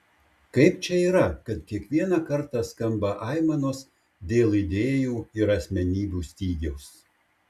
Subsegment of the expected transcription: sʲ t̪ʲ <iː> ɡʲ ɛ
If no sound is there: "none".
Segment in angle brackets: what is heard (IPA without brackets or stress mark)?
iː